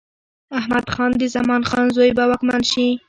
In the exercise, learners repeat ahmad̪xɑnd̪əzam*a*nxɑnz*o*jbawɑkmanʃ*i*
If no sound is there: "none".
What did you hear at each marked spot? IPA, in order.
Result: ɑ, o, i

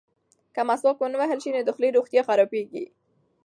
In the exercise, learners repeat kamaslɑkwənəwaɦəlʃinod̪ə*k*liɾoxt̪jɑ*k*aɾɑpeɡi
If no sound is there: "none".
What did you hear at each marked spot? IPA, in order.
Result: x, x

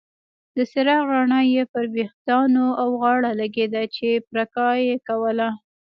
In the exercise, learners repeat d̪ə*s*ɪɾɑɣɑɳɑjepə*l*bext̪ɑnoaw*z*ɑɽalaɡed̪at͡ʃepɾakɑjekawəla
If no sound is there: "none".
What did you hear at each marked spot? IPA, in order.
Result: s, ɾ, ɣ

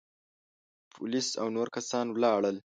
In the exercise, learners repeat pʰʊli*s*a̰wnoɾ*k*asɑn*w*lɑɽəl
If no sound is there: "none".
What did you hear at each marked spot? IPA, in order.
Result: s, k, w

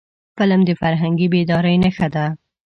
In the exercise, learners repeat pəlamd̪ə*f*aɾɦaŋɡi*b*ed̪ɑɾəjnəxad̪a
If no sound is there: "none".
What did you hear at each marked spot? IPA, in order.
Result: f, b

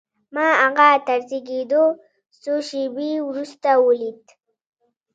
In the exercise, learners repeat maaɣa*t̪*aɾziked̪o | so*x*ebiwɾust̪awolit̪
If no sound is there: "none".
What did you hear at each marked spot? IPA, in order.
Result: t̪, ʃ

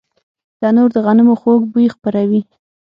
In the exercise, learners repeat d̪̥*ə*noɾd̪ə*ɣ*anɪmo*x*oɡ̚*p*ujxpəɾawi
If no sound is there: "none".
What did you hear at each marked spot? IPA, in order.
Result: ɑ, ɣ, x, b

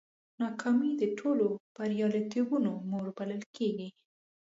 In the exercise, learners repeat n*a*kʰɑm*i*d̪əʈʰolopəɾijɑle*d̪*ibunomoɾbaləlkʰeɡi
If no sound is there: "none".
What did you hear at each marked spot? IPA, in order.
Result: ɑ, i, t̪

